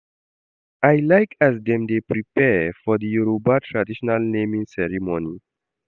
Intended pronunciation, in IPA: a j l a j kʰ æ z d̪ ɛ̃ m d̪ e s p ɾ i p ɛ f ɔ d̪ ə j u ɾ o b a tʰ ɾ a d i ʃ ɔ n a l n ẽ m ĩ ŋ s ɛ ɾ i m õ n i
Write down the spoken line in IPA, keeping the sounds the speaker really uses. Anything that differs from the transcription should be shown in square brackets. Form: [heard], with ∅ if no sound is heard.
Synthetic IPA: a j l a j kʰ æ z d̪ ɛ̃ m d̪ e [∅] p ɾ i p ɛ f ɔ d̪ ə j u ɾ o b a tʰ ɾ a d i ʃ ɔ n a l n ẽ m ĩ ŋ s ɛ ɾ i m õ n i